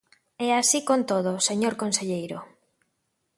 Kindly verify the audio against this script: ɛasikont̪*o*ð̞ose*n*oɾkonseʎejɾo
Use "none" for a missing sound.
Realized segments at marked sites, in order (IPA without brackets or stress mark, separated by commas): o, ɲ